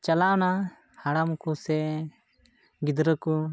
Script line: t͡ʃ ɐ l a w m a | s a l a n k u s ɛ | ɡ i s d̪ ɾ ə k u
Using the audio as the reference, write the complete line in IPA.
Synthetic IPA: t͡ʃ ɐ l a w n a | h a ɽ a m k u s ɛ | ɡ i d̪ ɾ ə k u